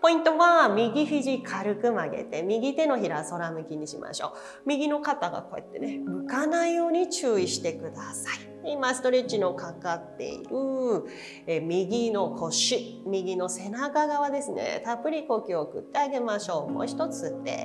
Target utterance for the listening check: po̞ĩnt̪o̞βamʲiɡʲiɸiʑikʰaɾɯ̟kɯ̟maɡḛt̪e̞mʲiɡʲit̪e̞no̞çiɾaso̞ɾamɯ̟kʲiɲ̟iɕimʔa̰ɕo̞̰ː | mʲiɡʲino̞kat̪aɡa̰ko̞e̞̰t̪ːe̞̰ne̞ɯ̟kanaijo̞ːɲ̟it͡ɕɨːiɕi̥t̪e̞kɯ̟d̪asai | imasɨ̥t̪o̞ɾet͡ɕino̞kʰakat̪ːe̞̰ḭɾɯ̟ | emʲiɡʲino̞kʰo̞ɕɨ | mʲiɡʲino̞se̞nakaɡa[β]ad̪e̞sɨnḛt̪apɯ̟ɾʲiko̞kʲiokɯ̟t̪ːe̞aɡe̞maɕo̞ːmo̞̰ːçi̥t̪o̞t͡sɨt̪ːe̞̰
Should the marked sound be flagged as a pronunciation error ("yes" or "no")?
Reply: no